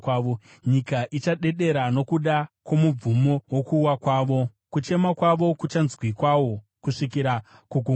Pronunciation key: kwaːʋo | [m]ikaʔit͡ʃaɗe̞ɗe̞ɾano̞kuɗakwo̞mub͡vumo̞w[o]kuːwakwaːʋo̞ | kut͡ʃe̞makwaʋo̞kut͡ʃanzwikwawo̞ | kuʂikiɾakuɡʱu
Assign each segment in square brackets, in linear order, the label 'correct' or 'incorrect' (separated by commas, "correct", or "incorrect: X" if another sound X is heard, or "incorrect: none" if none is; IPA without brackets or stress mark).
incorrect: ɲ, correct